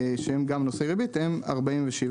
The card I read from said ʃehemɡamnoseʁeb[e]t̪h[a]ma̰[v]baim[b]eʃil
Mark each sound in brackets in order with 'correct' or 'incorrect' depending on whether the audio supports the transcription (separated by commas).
incorrect, incorrect, incorrect, incorrect